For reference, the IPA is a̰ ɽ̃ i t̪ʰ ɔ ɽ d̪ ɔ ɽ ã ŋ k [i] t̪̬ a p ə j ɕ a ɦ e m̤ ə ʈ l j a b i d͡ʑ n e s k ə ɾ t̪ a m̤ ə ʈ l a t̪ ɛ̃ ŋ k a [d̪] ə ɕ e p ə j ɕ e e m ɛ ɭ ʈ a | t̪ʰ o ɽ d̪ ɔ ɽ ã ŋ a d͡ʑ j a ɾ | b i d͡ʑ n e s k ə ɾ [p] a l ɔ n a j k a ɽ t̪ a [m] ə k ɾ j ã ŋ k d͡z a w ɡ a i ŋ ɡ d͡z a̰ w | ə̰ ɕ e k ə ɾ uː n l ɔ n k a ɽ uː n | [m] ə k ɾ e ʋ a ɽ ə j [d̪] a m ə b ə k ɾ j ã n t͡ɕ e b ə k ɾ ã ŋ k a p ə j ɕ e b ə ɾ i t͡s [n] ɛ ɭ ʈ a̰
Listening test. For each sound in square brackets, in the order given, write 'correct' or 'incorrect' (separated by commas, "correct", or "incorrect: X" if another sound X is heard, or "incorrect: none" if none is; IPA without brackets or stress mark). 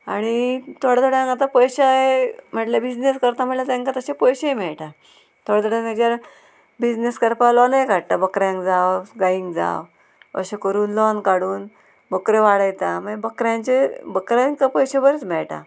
incorrect: a, incorrect: t̪, correct, incorrect: b, incorrect: b, incorrect: t̪, incorrect: m